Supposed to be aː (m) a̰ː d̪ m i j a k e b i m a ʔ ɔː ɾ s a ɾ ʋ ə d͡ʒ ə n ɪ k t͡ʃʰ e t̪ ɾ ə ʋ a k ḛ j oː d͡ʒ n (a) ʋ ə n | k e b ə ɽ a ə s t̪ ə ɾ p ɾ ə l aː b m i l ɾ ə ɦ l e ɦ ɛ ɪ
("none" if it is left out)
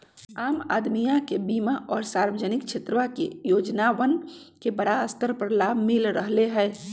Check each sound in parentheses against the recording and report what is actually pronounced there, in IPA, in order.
m, a

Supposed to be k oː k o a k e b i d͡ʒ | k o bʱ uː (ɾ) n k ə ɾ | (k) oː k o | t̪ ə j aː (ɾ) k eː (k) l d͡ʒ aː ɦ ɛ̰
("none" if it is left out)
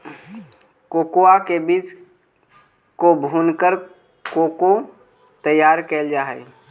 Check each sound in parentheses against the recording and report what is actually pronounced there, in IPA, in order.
none, k, ɾ, none

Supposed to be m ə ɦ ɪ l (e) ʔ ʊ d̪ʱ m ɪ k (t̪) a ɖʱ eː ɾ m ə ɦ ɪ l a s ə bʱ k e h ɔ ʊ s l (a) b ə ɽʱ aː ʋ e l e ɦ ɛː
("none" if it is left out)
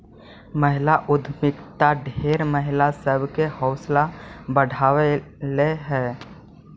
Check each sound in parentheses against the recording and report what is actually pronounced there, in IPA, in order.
a, t̪, a

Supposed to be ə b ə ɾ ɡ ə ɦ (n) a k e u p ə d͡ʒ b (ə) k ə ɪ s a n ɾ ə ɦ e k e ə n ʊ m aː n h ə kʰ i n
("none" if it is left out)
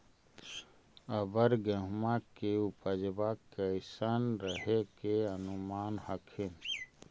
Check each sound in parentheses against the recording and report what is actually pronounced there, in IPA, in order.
m, a

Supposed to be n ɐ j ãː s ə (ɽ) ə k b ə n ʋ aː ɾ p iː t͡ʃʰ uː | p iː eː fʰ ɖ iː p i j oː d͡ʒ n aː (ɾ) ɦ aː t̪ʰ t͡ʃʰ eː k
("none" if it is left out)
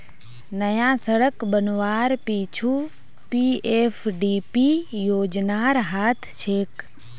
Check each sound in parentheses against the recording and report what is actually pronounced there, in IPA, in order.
ɽ, ɾ

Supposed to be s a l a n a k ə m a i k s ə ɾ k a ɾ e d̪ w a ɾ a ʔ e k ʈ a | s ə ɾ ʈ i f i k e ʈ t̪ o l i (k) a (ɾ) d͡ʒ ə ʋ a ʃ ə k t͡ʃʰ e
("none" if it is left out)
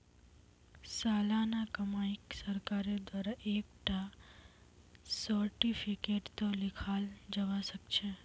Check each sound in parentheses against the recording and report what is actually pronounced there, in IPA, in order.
kʰ, l

